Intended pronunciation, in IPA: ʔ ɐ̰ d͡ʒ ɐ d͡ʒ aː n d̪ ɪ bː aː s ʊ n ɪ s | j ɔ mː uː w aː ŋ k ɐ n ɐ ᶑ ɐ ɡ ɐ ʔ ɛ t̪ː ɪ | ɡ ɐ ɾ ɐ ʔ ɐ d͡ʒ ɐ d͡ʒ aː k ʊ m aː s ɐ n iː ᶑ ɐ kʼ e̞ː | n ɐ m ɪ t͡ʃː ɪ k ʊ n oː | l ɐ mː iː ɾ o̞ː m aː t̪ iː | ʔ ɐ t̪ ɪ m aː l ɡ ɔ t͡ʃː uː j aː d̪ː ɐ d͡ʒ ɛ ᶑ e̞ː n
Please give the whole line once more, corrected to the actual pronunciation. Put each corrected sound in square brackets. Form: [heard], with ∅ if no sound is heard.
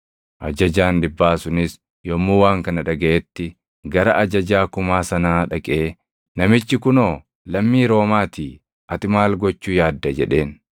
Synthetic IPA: ʔ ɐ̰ d͡ʒ ɐ d͡ʒ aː n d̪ ɪ bː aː s ʊ n ɪ s | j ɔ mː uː w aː ŋ k ɐ n ɐ ᶑ ɐ ɡ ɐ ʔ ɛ t̪ː ɪ | ɡ ɐ ɾ ɐ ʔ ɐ d͡ʒ ɐ d͡ʒ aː k ʊ m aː s ɐ n [aː] ᶑ ɐ kʼ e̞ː | n ɐ m ɪ t͡ʃː ɪ k ʊ n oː | l ɐ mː iː ɾ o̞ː m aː t̪ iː | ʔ ɐ t̪ ɪ m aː l ɡ ɔ t͡ʃː uː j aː d̪ː ɐ d͡ʒ ɛ ᶑ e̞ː n